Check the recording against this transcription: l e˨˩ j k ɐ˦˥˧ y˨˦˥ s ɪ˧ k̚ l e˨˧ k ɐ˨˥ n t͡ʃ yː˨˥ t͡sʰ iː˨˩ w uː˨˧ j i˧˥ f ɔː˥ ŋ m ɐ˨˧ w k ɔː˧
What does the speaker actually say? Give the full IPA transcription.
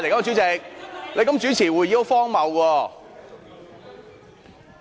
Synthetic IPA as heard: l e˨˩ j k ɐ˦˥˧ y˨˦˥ t͡s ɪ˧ k̚ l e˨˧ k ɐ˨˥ m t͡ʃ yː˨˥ t͡sʰ iː˨˩ w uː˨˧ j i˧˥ f ɔː˥ ŋ m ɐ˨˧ w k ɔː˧